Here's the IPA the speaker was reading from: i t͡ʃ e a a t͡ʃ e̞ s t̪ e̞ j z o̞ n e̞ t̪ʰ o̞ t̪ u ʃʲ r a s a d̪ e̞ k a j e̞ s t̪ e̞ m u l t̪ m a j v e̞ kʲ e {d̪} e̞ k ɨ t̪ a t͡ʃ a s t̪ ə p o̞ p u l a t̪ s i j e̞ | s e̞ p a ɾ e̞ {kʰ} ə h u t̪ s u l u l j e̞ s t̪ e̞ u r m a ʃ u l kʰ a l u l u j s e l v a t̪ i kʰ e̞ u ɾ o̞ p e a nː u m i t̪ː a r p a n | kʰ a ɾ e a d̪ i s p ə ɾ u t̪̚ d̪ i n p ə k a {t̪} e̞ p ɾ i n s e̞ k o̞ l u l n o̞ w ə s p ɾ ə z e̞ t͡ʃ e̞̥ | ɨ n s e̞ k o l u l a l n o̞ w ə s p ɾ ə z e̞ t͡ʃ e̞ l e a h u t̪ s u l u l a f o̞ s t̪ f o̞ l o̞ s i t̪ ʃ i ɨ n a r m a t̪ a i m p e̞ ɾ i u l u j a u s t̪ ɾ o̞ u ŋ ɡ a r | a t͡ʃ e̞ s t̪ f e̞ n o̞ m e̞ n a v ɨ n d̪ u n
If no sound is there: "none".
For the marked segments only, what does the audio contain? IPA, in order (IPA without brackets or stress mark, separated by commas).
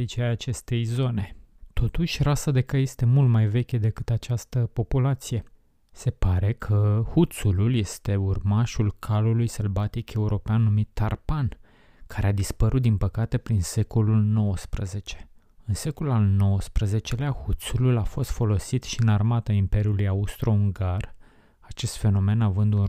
d̪, kʰ, t̪